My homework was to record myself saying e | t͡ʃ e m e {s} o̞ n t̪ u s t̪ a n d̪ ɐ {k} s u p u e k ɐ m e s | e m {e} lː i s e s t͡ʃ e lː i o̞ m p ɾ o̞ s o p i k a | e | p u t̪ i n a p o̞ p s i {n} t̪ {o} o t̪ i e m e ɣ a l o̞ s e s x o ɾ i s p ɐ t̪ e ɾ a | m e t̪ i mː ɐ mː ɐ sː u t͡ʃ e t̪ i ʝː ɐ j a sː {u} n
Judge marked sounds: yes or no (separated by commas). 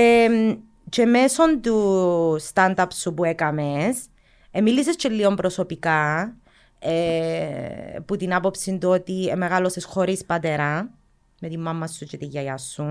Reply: yes, no, no, yes, no, yes